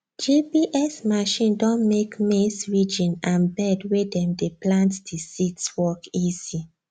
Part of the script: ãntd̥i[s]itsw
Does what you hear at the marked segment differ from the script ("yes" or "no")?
no